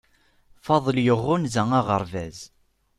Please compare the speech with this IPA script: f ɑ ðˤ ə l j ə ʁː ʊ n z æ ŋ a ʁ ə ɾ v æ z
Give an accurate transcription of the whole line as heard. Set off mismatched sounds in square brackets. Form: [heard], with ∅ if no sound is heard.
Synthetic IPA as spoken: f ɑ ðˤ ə l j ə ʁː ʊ n z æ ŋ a ʁ ə ɾ v æ z